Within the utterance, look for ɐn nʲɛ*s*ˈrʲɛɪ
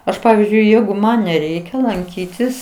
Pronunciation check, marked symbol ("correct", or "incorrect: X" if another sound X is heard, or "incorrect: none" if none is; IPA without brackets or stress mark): incorrect: none